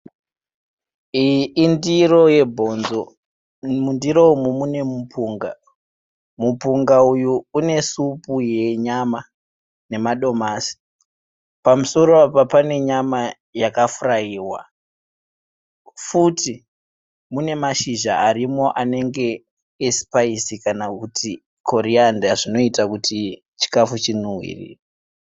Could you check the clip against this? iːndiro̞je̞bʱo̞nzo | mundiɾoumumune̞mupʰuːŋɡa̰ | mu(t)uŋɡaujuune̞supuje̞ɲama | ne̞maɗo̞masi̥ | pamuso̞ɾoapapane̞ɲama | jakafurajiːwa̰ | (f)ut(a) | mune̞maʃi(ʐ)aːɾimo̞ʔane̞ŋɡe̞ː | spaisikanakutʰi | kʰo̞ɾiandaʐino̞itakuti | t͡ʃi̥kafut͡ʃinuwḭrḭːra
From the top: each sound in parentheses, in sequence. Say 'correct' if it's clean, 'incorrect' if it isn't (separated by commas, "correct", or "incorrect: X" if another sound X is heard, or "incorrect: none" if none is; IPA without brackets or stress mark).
incorrect: p, correct, incorrect: i, incorrect: ʒ